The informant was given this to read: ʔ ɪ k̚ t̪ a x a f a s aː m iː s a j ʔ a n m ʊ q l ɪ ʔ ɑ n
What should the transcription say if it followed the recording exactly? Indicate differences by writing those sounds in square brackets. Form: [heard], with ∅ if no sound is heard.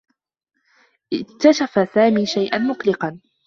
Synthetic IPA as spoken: ʔ ɪ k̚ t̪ a [ʃ] a f a s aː m iː [ʃ] a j ʔ a n m ʊ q l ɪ [q] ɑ n